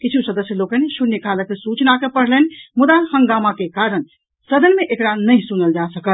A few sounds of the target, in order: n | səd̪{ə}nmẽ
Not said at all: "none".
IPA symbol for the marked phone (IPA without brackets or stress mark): ə